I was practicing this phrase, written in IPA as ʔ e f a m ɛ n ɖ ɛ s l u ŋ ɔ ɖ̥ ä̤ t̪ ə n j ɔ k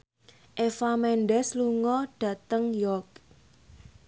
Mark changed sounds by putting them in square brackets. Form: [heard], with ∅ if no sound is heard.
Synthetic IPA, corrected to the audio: ʔ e f a m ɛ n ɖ ɛ s l u ŋ ɔ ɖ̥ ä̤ t̪ ə [ŋ] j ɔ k